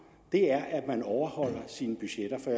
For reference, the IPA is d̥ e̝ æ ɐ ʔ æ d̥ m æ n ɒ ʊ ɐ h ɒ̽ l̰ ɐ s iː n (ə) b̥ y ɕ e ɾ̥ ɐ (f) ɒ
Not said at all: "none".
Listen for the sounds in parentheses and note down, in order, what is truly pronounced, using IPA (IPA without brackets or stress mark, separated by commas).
ə, f